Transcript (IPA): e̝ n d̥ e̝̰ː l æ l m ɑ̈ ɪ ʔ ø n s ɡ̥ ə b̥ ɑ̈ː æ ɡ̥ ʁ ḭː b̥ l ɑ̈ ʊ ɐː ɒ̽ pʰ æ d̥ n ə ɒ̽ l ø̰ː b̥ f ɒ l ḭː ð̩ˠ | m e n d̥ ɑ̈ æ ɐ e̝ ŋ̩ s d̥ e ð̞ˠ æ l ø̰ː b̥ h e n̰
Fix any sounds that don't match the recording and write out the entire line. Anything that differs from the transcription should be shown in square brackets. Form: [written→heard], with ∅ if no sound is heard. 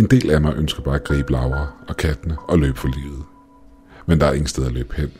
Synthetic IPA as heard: e̝ n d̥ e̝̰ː l æ [l→∅] m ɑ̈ ɪ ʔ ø n s ɡ̥ [ə→ɐ] b̥ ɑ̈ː æ ɡ̥ ʁ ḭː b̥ l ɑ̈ ʊ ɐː ɒ̽ [pʰ→kʰ] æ d̥ n ə ɒ̽ l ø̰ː b̥ f ɒ l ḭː ð̩ˠ | m e n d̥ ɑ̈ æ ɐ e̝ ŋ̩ s d̥ e ð̞ˠ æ l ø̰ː b̥ h e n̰